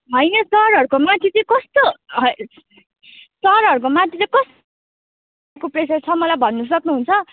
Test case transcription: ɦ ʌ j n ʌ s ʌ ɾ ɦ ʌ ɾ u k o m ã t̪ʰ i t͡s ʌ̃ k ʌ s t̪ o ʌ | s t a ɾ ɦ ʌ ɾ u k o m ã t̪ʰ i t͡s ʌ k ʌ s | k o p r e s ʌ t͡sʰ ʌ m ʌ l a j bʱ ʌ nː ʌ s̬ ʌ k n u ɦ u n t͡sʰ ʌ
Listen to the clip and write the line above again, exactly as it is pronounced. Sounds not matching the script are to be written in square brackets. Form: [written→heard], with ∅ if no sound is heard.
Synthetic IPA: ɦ ʌ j n ʌ s ʌ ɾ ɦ ʌ ɾ u k o m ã t̪ʰ i t͡s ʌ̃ k ʌ s t̪ o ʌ | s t [a→ʌ] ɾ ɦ ʌ ɾ u k o m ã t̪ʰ i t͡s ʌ k ʌ s | k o p r e s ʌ t͡sʰ ʌ m ʌ l a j bʱ ʌ nː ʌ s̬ ʌ k n u ɦ u n t͡sʰ ʌ